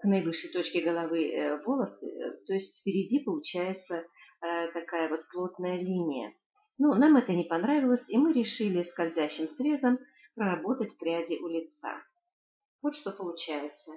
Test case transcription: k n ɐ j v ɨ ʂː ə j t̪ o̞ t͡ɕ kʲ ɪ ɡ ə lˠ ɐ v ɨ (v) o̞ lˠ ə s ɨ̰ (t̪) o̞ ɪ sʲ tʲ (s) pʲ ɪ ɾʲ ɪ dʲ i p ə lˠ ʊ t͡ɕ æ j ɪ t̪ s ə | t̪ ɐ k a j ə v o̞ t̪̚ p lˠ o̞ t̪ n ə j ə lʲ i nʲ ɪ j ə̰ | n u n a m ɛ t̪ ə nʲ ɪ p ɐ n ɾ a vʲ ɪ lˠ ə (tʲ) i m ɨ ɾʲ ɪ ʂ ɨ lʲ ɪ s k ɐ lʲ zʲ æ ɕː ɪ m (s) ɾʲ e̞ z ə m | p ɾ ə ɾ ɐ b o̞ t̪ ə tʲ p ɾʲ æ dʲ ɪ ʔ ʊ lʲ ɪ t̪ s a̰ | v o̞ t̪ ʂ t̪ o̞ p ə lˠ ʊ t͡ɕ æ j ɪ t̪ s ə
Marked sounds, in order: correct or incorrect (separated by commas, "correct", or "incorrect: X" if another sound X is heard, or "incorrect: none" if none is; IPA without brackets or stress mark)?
correct, correct, incorrect: f, incorrect: sʲ, correct